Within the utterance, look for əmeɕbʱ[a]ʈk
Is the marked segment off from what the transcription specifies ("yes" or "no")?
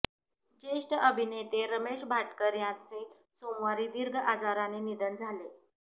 no